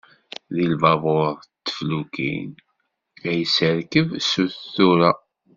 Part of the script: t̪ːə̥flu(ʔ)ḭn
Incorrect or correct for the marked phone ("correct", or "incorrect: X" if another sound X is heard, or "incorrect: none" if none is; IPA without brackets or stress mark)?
incorrect: k